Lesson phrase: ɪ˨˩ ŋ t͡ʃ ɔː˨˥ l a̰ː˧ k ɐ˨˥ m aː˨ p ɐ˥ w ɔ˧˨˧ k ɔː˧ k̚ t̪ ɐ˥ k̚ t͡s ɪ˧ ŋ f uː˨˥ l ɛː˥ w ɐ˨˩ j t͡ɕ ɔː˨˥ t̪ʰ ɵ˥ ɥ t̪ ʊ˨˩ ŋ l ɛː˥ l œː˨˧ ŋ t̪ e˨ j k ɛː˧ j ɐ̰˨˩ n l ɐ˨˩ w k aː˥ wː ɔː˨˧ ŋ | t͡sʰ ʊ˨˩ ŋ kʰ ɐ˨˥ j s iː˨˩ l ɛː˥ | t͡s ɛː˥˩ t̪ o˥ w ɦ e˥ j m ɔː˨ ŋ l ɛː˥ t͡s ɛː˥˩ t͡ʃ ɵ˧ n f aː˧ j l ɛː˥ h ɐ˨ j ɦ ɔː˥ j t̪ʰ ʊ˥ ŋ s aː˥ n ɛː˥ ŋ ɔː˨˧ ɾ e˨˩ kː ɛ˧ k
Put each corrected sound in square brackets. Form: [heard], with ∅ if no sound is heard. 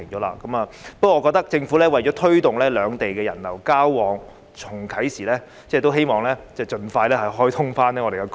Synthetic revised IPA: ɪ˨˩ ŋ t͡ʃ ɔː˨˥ l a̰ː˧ k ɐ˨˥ m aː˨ p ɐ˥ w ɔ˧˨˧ k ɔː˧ k̚ t̪ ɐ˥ k̚ t͡s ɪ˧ ŋ f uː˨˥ l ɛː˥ w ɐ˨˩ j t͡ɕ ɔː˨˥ t̪ʰ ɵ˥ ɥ t̪ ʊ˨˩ ŋ l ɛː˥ l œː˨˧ ŋ t̪ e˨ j k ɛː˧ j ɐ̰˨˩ n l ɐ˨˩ w k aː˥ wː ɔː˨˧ ŋ | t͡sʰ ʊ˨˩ ŋ kʰ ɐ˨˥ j s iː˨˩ l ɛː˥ | t͡s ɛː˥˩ t̪ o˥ w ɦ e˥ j m ɔː˨ ŋ l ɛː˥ t͡s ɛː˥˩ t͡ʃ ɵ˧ n f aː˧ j l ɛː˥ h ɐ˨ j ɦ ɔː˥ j t̪ʰ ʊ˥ ŋ [f] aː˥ n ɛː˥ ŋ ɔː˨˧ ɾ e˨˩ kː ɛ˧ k